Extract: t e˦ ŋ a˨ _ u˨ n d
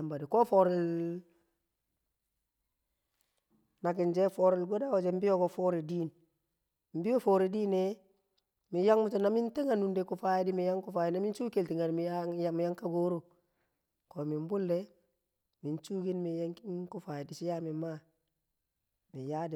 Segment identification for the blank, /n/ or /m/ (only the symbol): n